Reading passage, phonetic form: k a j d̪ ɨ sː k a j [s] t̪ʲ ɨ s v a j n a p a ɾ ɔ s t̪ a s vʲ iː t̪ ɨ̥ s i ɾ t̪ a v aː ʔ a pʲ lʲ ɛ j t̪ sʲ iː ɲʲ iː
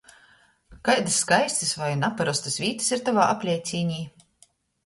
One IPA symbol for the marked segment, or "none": s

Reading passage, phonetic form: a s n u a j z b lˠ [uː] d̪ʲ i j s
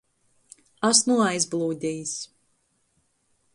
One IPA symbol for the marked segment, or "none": uː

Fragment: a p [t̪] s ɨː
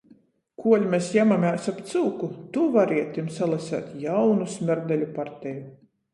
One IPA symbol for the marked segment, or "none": t̪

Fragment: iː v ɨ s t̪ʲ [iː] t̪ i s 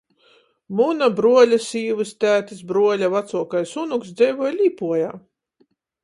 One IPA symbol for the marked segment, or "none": æː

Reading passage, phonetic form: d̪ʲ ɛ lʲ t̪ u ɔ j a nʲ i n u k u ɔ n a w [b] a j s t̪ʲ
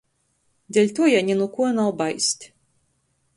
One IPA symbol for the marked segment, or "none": b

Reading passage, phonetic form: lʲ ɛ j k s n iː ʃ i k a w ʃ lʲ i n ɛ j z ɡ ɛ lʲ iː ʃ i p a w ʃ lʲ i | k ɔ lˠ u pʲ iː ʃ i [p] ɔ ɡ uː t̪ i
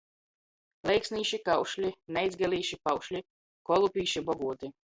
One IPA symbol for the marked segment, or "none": b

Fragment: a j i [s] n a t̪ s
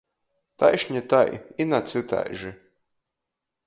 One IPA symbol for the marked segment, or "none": none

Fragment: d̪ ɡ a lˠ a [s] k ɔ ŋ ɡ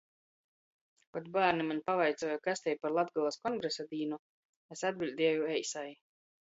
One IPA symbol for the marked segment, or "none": s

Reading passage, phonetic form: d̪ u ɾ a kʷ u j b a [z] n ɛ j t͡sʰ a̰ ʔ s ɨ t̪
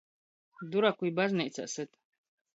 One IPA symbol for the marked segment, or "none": z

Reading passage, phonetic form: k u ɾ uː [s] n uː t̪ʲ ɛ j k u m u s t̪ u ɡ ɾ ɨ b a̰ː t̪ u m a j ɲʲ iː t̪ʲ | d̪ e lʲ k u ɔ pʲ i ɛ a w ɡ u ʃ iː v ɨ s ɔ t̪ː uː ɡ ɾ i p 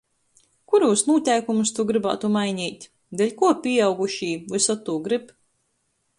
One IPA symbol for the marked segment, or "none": s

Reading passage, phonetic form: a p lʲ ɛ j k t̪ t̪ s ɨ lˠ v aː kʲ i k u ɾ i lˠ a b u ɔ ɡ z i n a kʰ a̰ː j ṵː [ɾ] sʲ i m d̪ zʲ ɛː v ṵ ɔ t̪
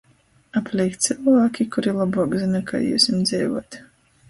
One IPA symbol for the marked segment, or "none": none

